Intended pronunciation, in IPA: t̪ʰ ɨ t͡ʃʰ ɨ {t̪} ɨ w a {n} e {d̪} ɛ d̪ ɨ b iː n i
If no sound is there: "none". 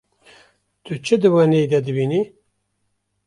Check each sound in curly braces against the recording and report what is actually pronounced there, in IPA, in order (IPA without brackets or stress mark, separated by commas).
d̪, n, d̪